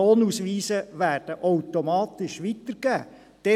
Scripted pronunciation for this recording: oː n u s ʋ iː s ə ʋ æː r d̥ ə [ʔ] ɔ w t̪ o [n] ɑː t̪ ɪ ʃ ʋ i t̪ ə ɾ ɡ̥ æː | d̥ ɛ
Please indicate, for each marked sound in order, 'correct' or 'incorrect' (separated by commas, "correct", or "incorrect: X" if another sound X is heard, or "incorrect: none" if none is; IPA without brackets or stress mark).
correct, incorrect: m